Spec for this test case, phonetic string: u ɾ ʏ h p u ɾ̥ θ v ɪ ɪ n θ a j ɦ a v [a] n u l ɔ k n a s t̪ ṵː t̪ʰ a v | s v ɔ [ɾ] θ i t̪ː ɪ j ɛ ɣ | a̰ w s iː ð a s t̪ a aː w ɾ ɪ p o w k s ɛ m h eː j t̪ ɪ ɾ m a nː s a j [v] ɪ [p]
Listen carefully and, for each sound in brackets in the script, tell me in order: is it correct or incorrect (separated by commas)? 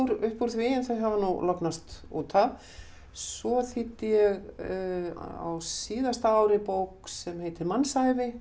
correct, incorrect, correct, incorrect